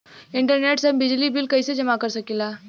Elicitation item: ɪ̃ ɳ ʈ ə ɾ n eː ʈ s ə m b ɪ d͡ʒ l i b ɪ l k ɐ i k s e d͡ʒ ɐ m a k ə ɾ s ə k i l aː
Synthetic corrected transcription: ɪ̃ ɳ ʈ ə ɾ n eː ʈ s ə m b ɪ d͡ʒ l i b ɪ l k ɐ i s e d͡ʒ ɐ m a k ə ɾ s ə k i l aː